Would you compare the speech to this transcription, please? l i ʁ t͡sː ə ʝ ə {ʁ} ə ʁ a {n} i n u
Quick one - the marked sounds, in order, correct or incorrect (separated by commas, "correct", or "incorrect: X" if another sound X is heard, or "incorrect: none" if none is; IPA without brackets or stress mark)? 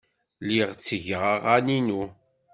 correct, correct